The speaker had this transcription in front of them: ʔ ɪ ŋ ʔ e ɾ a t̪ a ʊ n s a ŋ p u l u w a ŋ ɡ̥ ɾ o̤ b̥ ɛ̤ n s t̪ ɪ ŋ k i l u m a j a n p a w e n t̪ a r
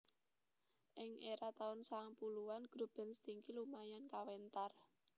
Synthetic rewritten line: ʔ ɪ ŋ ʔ e ɾ a t̪ a ʊ n s a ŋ p u l u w a n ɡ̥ ɾ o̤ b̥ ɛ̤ n s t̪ i ŋ k i l u m a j a n k a w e n t̪ a r

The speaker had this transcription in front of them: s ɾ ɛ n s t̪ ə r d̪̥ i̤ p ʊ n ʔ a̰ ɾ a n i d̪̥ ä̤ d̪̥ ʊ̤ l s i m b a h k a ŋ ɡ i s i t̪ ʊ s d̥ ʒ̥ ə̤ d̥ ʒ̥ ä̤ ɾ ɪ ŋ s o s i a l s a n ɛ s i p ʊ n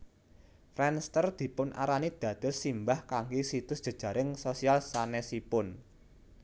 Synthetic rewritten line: f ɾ ɛ n s t̪ ə r d̪̥ i̤ p ʊ n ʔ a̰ ɾ a n i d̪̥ ä̤ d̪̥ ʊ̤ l s i m b a h k a ŋ ɡ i s i t̪ ʊ s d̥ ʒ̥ ə̤ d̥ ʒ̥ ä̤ ɾ ɪ ŋ s o s i a l s a n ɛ s i p ʊ n

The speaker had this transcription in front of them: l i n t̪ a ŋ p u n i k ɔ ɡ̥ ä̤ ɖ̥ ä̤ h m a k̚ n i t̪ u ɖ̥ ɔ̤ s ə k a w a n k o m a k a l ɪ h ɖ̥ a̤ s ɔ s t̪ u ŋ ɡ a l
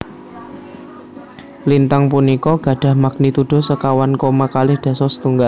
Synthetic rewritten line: l i n t̪ a ŋ p u n i k ɔ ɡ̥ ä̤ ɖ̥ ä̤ h m a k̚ n i t̪ u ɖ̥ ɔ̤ s ə k a w a n k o m a k a l ɪ h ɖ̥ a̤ s ɔ s t̪ u ŋ ɡ a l

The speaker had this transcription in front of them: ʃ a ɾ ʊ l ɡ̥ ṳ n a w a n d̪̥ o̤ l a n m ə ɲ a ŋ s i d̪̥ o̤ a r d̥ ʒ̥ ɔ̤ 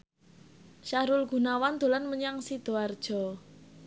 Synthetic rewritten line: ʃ a ɾ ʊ l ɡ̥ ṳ n a w a n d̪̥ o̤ l a n m ə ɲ a ŋ s i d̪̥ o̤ a r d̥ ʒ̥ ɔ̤

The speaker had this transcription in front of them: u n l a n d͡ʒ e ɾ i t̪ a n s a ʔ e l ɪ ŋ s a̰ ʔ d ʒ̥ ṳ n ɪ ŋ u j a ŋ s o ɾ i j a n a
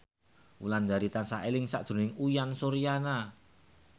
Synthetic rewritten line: u l a n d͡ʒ a ɾ i t̪ a n s a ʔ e l ɪ ŋ s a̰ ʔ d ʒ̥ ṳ n ɪ ŋ u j a n s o ɾ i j a n a

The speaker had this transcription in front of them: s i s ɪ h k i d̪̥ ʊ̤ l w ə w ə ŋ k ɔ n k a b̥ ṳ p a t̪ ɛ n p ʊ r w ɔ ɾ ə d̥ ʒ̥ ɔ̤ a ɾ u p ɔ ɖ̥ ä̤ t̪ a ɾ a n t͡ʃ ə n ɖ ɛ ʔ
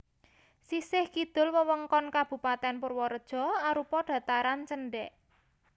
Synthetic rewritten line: s i s ɪ h k i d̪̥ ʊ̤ l w ə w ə ŋ k ɔ n k a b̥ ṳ p a t̪ ɛ n p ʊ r w ɔ ɾ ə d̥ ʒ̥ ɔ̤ a ɾ u p ɔ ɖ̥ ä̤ t̪ a ɾ a n t͡ʃ ə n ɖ ɛ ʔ

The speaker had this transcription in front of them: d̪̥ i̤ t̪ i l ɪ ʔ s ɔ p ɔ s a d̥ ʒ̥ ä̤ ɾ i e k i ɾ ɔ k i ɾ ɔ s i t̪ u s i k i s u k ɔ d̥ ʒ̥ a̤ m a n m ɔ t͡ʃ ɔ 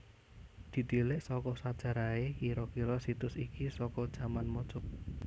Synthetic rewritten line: d̪̥ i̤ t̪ i l ɪ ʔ s ɔ k ɔ s a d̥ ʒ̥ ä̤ ɾ a e k i ɾ ɔ k i ɾ ɔ s i t̪ ʊ s i k i s ɔ k ɔ d̥ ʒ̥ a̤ m a n m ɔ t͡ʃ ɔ

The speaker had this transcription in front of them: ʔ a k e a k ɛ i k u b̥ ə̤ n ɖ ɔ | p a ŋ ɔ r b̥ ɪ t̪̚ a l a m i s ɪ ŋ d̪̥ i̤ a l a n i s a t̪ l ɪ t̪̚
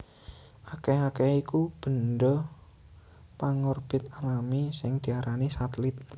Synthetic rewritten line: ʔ a k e a k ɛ i k u b̥ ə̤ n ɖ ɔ | p a ŋ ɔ r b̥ ɪ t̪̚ a l a m i s ɪ ŋ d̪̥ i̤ a ɾ a n i s a t̪ l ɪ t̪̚

